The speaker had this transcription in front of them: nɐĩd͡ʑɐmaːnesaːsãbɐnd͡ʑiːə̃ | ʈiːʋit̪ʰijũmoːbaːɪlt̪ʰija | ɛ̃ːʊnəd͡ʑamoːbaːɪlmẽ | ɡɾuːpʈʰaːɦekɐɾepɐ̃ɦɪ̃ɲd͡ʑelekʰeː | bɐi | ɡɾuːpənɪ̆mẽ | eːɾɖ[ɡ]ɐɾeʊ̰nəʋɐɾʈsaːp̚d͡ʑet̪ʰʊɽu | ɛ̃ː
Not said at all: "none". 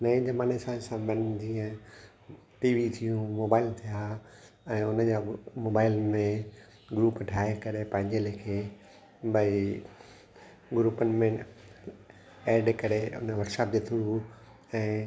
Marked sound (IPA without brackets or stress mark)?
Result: k